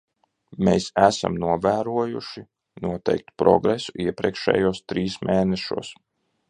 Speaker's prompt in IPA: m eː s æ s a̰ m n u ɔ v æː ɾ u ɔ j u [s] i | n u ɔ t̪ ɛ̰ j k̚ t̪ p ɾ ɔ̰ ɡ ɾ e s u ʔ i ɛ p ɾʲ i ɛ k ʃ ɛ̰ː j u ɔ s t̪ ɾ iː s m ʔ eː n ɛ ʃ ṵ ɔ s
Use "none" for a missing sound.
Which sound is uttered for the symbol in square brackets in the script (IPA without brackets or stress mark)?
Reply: ʃ